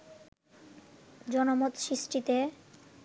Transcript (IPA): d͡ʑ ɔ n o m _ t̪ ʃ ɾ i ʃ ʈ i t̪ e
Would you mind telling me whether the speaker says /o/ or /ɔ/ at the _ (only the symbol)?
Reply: o